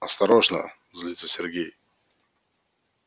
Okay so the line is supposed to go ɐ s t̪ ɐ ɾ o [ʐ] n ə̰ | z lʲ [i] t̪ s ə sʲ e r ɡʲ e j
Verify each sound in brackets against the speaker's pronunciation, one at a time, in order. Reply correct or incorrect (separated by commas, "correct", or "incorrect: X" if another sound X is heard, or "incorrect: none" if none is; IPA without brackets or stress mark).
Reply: correct, correct